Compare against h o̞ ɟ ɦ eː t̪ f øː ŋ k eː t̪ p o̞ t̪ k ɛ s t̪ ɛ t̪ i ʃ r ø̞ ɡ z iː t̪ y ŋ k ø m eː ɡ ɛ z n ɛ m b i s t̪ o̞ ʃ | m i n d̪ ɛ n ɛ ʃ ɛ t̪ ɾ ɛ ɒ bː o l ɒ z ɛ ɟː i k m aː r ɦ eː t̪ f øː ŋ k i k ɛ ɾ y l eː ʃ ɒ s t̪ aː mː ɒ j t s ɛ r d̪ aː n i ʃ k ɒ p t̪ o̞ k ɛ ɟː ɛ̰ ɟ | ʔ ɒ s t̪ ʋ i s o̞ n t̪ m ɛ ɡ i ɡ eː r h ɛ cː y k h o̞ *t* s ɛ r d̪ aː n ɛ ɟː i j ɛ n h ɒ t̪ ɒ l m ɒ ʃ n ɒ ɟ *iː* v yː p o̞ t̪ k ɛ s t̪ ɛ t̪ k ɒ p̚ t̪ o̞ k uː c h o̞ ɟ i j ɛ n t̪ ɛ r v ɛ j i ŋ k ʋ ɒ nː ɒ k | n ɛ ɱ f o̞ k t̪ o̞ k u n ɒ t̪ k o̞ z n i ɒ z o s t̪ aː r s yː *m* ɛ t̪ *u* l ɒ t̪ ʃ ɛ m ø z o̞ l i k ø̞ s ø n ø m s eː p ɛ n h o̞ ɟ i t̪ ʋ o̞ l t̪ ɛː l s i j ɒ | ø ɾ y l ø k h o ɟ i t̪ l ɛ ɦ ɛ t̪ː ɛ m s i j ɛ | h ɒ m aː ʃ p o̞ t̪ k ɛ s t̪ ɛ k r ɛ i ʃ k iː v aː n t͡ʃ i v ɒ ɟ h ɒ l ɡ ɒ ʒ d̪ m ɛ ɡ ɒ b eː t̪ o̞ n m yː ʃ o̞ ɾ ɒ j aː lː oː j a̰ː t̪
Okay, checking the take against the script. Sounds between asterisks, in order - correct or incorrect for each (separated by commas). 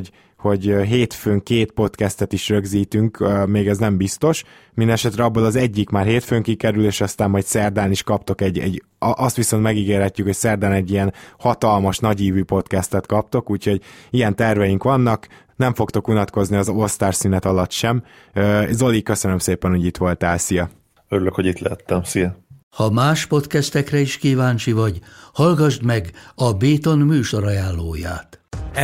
incorrect, correct, incorrect, incorrect